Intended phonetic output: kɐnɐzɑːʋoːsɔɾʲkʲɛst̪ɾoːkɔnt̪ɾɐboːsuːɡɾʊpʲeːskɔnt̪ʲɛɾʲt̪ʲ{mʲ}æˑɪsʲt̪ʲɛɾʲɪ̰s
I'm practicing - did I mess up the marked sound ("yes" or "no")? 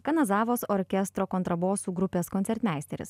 no